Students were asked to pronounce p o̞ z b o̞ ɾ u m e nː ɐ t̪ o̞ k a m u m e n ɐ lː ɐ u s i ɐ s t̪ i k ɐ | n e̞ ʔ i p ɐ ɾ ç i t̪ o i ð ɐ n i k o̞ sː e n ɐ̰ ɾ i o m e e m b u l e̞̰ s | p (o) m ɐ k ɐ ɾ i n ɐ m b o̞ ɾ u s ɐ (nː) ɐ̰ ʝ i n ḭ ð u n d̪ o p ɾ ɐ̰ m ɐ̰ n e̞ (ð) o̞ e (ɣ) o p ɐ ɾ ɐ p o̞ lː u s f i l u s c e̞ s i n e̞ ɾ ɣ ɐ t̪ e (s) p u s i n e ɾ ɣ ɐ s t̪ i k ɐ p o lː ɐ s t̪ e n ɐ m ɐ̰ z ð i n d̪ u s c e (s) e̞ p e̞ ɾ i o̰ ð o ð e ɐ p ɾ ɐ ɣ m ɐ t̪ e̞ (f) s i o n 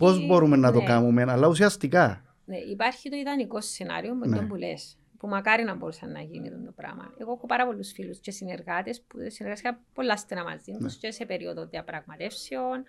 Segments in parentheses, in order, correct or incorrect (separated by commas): incorrect, correct, incorrect, incorrect, correct, correct, correct